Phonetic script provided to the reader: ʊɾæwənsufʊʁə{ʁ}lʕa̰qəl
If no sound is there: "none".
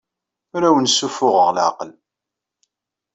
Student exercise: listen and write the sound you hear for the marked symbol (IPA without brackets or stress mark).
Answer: ʁ